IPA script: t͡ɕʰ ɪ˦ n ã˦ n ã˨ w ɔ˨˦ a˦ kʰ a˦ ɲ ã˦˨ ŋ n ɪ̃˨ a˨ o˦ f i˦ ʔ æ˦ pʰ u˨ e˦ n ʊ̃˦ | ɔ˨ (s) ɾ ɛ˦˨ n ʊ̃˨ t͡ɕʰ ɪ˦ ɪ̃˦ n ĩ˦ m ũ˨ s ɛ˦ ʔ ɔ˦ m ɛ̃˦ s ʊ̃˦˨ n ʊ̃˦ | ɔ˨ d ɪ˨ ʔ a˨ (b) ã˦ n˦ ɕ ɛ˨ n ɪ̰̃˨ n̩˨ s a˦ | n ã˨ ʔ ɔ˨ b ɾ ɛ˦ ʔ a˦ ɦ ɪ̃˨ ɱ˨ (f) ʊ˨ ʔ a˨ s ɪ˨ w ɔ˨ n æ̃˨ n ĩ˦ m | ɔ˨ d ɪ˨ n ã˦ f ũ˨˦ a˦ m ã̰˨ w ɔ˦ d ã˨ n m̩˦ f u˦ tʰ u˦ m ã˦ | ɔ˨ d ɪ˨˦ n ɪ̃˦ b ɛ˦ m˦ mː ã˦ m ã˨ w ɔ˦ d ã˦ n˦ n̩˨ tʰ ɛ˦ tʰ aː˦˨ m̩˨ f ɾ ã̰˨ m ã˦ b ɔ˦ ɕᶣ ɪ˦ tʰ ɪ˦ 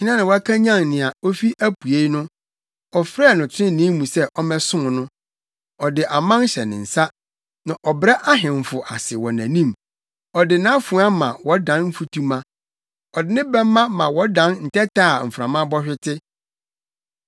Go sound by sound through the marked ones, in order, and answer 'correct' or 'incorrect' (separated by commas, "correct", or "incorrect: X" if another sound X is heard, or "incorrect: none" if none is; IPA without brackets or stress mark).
incorrect: f, incorrect: m, correct